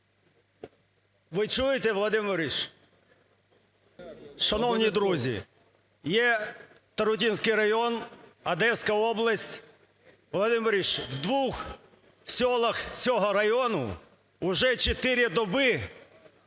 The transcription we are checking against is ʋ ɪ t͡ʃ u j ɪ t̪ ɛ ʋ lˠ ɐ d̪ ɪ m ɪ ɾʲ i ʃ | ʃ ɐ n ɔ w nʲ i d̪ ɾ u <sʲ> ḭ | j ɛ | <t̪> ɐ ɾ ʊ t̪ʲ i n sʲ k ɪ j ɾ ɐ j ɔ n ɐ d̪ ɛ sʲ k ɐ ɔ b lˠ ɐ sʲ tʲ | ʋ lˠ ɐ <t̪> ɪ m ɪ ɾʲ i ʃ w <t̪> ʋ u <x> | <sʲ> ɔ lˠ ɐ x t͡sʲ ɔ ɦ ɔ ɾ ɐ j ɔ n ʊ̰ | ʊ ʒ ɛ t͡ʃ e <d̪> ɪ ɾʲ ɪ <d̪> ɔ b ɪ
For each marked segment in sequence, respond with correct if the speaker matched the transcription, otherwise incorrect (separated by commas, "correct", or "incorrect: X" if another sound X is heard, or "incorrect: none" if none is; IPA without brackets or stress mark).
incorrect: zʲ, correct, incorrect: d̪, incorrect: d̪, correct, correct, incorrect: t̪, correct